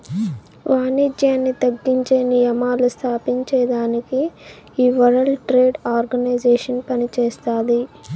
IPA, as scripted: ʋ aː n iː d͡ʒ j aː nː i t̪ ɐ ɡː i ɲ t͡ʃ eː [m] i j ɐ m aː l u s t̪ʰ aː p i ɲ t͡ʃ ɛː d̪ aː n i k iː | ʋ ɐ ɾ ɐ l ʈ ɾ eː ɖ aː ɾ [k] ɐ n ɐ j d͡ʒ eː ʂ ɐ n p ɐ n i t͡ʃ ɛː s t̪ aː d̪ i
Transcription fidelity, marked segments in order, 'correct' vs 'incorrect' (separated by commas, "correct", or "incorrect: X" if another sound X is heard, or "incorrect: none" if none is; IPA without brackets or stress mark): incorrect: n, incorrect: ɡ